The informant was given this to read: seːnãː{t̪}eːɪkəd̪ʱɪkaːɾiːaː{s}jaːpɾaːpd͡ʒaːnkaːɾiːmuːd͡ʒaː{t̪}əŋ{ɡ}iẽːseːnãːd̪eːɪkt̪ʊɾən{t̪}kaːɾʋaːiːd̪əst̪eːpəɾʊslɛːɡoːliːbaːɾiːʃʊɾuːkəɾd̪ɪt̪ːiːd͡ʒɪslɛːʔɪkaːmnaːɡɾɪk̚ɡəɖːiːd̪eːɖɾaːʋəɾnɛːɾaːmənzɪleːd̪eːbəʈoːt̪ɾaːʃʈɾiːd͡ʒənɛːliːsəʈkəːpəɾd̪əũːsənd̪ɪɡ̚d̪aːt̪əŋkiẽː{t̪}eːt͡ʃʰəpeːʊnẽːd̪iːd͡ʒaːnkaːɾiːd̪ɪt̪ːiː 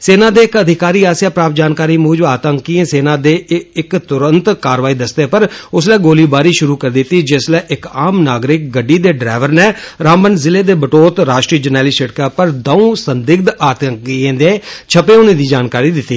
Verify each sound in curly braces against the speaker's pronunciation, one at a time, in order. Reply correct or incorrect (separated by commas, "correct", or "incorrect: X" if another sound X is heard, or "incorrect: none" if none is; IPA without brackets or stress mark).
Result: incorrect: d̪, correct, correct, incorrect: k, correct, incorrect: d̪